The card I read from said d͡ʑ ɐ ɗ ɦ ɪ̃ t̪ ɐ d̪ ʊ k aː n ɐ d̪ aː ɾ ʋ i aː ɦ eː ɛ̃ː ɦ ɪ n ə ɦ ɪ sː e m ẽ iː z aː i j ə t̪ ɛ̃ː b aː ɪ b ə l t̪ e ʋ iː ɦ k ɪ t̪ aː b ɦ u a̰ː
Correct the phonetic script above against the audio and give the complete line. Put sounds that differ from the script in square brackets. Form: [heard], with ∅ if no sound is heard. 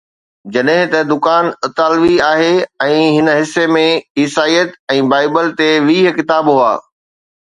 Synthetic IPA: d͡ʑ ɐ ɗ ɦ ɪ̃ t̪ ɐ d̪ ʊ k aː n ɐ [t̪] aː [l] ʋ i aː ɦ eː ɛ̃ː ɦ ɪ n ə ɦ ɪ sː e m ẽ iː [s] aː i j ə t̪ ɛ̃ː b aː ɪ b ə l t̪ e ʋ iː ɦ k ɪ t̪ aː b ɦ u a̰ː